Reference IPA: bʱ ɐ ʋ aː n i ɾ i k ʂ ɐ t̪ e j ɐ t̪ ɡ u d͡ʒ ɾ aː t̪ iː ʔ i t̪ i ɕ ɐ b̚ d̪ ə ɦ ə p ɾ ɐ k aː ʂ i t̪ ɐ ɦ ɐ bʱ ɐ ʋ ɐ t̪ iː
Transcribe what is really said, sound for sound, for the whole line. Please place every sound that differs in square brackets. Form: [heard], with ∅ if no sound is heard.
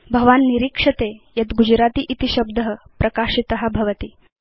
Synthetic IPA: bʱ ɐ ʋ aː [nː] i ɾ i k ʂ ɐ t̪ e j ɐ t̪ ɡ u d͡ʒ ɾ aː t̪ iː ʔ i t̪ i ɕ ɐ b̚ d̪ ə ɦ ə p ɾ ɐ k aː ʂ i t̪ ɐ ɦ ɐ bʱ ɐ ʋ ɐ t̪ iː